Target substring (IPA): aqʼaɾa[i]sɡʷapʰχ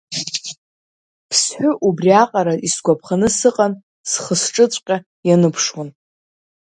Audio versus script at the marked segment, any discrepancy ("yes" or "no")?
no